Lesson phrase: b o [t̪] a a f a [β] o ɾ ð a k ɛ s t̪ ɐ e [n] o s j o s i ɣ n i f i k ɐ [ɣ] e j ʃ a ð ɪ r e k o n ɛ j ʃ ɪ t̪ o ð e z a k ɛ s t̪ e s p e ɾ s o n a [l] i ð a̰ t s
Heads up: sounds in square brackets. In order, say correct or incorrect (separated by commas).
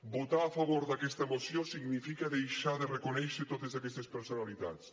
correct, correct, incorrect, incorrect, correct